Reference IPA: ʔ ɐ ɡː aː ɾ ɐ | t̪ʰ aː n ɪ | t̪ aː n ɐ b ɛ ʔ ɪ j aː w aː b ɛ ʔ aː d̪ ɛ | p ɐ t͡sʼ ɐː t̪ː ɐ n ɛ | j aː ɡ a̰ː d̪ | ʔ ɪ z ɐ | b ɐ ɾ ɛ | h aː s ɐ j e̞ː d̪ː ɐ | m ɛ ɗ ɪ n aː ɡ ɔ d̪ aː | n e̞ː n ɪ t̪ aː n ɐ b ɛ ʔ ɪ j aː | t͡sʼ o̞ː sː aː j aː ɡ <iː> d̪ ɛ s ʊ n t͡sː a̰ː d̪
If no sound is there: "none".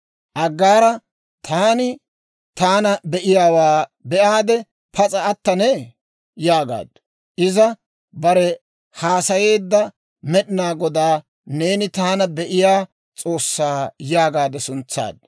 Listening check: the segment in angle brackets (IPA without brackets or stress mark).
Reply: aː